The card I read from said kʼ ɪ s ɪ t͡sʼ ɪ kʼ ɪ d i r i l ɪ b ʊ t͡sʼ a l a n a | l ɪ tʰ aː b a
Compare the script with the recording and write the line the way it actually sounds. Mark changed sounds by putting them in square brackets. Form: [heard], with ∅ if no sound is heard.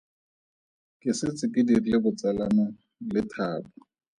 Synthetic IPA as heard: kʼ ɪ s ɪ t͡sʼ ɪ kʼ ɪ d i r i l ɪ b ʊ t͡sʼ a l a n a | l ɪ tʰ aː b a